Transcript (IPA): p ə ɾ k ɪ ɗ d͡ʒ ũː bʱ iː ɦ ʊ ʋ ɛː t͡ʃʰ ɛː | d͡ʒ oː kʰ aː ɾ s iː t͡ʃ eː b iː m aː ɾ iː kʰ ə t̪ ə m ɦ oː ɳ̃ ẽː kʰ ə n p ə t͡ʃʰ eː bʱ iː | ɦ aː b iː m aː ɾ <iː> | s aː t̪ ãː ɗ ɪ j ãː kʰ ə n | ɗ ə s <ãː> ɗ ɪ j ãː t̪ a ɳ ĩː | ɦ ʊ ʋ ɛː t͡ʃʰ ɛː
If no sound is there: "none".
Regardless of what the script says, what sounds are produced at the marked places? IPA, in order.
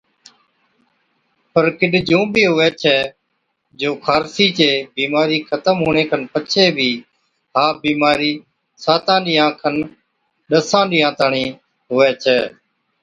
iː, ãː

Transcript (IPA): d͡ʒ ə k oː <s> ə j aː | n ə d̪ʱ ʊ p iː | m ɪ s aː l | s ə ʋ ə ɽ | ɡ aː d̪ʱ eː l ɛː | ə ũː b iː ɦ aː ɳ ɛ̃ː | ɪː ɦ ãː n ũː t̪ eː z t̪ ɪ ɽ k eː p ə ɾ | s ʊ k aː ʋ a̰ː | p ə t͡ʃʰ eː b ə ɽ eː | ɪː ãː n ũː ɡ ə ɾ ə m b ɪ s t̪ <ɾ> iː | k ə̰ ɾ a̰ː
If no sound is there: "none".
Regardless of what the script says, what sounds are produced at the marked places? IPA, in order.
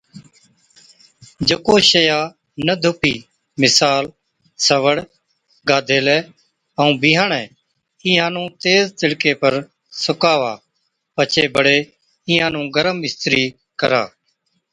ʃ, ɾ

